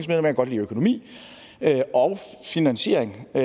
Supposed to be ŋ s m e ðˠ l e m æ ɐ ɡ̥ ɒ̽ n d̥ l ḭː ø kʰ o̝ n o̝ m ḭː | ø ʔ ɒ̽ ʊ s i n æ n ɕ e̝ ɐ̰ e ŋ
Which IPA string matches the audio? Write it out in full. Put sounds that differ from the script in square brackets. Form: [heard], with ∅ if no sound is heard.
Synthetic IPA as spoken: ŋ s m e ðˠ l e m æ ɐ ɡ̥ ɒ̽ [∅] d̥ l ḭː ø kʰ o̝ n o̝ m ḭː | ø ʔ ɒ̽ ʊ [f] i n æ n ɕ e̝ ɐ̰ e ŋ